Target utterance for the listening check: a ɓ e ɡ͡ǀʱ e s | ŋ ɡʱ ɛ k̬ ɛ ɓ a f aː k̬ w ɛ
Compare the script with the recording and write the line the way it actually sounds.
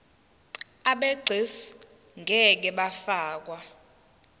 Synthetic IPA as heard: a ɓ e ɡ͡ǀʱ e s | ŋ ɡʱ ɛ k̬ ɛ ɓ a f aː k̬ w a